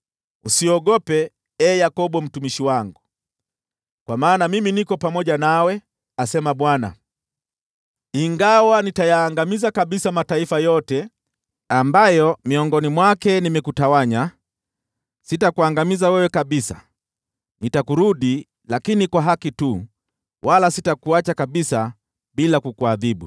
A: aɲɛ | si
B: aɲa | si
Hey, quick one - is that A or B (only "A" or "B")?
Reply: B